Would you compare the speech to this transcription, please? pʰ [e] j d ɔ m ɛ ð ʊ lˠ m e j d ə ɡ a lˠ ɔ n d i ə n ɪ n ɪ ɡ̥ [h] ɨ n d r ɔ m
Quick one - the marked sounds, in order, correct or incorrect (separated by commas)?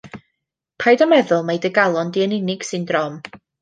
incorrect, incorrect